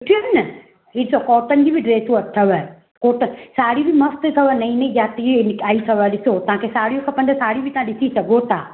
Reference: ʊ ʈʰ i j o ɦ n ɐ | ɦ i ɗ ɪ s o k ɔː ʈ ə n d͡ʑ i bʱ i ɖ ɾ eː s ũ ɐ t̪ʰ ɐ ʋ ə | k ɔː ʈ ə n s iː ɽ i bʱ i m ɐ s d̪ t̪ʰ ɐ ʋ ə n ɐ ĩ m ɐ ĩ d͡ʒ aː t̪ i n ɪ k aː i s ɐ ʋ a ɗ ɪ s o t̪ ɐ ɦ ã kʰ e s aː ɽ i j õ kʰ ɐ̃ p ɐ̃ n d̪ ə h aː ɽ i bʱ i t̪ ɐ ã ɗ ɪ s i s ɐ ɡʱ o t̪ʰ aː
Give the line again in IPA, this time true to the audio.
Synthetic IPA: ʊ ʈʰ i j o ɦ n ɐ | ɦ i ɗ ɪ s o k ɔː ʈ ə n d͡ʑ i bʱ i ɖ ɾ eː s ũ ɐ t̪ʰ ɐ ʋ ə | k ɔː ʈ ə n s aː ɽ i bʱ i m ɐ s t̪ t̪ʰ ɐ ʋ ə n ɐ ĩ n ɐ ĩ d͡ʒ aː t̪ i n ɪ k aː i s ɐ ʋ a ɗ ɪ s o t̪ ɐ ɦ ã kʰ e s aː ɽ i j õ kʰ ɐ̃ p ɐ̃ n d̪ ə s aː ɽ i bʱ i t̪ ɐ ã ɗ ɪ s i s ɐ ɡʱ o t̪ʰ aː